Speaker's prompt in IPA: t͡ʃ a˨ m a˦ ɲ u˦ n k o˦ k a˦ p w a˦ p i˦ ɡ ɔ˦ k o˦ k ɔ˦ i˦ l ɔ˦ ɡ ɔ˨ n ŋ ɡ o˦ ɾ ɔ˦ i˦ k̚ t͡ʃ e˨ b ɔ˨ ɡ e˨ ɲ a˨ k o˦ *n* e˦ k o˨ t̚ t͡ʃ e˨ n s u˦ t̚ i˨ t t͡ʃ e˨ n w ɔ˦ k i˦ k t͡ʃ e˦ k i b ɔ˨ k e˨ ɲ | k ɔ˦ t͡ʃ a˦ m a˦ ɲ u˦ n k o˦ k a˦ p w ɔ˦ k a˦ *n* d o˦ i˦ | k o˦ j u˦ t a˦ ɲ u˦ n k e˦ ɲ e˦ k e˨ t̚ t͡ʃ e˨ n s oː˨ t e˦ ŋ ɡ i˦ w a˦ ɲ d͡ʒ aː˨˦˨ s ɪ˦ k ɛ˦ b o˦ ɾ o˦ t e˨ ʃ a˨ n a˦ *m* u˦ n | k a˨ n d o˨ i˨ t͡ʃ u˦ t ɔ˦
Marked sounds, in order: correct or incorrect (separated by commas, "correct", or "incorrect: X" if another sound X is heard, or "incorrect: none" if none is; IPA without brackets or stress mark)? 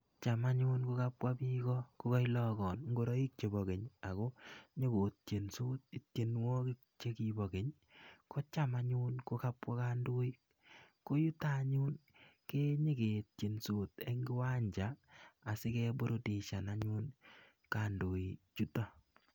incorrect: ɲ, correct, incorrect: ɲ